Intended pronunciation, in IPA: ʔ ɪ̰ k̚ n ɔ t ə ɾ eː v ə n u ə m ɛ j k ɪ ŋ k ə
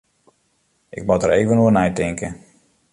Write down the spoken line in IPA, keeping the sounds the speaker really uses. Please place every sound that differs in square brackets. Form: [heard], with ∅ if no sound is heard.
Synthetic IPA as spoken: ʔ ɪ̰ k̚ [m] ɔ t ə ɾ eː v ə n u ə [n] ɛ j [t] ɪ ŋ k ə